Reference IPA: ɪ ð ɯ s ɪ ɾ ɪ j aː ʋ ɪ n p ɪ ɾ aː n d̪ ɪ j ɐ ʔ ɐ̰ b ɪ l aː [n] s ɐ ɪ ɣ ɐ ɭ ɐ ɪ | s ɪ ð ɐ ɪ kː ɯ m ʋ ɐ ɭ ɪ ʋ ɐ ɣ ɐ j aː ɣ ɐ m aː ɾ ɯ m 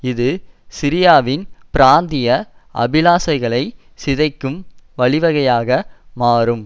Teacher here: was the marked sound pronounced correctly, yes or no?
no